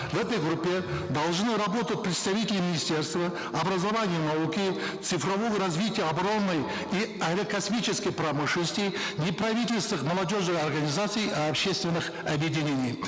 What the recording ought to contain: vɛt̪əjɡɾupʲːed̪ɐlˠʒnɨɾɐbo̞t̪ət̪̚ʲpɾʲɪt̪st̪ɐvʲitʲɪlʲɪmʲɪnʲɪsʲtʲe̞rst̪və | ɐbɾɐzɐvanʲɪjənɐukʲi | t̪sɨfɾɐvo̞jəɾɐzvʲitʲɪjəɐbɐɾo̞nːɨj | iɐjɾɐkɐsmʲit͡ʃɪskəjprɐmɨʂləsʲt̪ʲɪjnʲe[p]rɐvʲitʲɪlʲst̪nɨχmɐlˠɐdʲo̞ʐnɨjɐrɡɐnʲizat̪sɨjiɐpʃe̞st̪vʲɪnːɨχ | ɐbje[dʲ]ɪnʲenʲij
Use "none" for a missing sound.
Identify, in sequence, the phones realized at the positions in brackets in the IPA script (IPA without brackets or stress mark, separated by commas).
p, dʲ